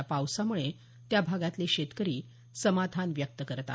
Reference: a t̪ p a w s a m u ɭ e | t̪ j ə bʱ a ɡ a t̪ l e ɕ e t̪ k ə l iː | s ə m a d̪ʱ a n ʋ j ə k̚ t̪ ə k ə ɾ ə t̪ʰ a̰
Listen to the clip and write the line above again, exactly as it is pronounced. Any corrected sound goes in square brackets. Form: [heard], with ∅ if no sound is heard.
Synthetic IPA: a [∅] p a w s a m u ɭ e | t̪ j [a] bʱ a ɡ a t̪ l e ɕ e t̪ k ə [ɾ] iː | s ə m a d̪ʱ a n ʋ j ə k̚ t̪ ə k ə ɾ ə [t̪] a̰

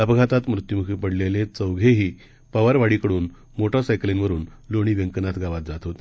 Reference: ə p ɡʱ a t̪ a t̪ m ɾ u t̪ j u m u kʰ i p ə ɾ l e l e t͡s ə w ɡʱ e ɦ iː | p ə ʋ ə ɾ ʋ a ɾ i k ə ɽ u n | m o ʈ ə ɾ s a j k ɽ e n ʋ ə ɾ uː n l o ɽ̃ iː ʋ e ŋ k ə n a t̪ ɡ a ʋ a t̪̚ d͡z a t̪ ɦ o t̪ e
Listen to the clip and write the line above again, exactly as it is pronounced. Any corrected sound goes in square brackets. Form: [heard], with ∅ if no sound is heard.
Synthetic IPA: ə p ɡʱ a t̪ a t̪ m ɾ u t̪ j u m u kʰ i p ə [ɽ] l e l e t͡s ə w ɡʱ e ɦ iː | p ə ʋ ə ɾ ʋ a [ɽ] i k ə ɽ [uː] n | m o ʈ ə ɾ s a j k [l] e n ʋ ə ɾ uː n l o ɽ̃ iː ʋ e ŋ k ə n a t̪ ɡ a ʋ a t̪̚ d͡z a t̪ ɦ o t̪ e

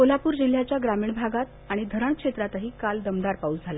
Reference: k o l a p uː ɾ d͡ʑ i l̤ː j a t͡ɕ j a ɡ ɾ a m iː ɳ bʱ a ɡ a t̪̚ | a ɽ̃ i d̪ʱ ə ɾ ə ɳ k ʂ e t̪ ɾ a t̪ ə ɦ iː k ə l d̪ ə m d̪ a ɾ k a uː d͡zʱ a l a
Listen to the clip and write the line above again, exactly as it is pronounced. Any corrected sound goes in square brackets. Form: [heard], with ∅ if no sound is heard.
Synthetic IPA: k o l a p uː ɾ d͡ʑ i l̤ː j a t͡ɕ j a ɡ ɾ a m iː ɳ bʱ a ɡ a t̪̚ | a ɽ̃ i d̪ʱ ə ɾ ə ɳ k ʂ e t̪ ɾ a t̪ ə ɦ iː k [a] l d̪ ə m d̪ a ɾ [p] a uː d͡zʱ a l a

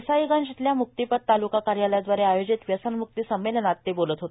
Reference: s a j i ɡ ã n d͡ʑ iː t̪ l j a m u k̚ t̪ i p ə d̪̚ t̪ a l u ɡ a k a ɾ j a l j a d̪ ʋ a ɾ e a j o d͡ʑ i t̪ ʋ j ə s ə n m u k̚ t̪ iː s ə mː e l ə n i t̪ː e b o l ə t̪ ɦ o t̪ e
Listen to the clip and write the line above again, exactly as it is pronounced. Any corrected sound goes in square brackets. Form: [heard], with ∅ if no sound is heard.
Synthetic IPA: s a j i ɡ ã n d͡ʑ [i] t̪ l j a m u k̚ t̪ i p ə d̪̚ t̪ a l u [k] a k a ɾ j a l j a d̪ ʋ a ɾ e a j o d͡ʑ i t̪ ʋ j ə s ə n m u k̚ t̪ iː s ə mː e l ə n [a] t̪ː e b o l ə t̪ ɦ o t̪ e

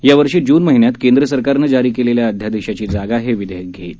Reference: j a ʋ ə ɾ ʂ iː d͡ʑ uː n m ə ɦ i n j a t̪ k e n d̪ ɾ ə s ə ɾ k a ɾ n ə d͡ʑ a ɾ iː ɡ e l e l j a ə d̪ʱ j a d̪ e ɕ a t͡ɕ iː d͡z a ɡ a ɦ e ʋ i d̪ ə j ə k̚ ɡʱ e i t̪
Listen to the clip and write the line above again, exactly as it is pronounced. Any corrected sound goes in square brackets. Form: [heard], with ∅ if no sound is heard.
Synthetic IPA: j a ʋ ə ɾ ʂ iː d͡ʑ uː n m ə ɦ i n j a t̪ k e n d̪ ɾ ə s ə ɾ k a ɾ n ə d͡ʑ a ɾ iː [k] e l e l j a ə d̪ʱ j a d̪ e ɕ a t͡ɕ iː d͡z a ɡ a ɦ e ʋ i d̪ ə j ə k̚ ɡʱ e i t̪

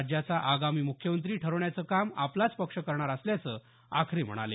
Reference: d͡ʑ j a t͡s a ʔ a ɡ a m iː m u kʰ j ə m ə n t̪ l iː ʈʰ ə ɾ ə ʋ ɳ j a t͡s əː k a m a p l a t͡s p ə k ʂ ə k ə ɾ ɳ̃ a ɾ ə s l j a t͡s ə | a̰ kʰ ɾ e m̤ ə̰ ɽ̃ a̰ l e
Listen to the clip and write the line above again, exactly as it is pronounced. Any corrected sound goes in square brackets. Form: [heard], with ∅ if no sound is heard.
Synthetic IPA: d͡ʑ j a t͡s a ʔ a ɡ a m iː m u kʰ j ə m ə n t̪ [ɾ] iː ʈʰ ə ɾ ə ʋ ɳ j a t͡s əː k a m a p l a t͡s p ə k ʂ ə k ə ɾ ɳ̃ a ɾ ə s l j a t͡s ə | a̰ kʰ ɾ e m̤ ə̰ ɽ̃ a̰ l e

